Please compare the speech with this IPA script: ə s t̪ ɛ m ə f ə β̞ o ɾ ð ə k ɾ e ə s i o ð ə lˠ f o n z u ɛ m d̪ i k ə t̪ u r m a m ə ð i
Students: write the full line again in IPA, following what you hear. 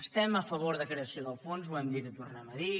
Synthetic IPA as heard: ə s t̪ ɛ m ə f ə β̞ o ɾ ð ə k ɾ e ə s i o ð ə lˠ f o n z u ɛ m d̪ i k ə t̪ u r n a m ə ð i